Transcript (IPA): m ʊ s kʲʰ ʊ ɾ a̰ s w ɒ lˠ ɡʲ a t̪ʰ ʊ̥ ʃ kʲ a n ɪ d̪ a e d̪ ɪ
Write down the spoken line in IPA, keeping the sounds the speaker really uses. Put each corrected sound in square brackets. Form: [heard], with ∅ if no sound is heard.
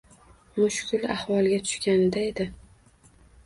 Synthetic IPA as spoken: m ʊ [ʃ] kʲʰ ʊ [l] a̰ [h] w ɒ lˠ ɡʲ a t̪ʰ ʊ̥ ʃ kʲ a n ɪ d̪ a e d̪ ɪ